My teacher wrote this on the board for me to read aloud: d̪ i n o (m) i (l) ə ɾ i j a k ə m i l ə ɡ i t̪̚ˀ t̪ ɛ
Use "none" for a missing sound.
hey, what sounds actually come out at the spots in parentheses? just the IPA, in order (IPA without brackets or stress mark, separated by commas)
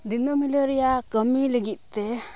m, l